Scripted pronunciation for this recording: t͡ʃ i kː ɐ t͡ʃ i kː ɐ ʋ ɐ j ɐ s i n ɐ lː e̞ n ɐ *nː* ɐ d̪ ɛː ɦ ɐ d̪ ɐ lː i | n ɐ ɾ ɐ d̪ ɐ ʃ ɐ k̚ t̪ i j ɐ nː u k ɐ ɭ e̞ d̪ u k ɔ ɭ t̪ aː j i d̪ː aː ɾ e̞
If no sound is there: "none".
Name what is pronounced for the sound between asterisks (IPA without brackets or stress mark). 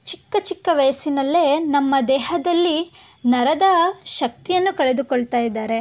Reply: mː